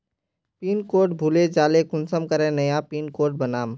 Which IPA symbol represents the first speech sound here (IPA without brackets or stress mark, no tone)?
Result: p